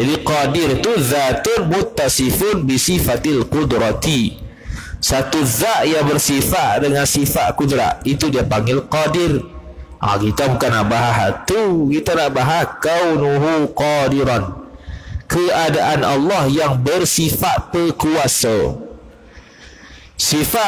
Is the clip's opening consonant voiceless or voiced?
voiced